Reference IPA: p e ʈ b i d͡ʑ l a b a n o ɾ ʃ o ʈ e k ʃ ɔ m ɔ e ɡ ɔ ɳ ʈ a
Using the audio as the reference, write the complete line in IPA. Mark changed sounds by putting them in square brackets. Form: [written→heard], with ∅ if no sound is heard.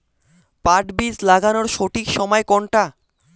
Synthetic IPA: p [e→a] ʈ b i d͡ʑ l a [b→ɡ] a n o ɾ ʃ o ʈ [e→i] k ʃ ɔ m ɔ e [ɡ→k] ɔ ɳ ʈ a